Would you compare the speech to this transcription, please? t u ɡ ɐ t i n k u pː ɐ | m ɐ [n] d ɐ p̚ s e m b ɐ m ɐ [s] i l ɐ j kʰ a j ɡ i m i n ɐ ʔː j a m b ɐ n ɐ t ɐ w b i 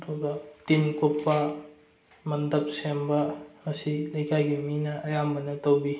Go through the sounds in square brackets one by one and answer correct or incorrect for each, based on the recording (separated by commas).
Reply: correct, correct